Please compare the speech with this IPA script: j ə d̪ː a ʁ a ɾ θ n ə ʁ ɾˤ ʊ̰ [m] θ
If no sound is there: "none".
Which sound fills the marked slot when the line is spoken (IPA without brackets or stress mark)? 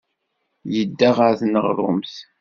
m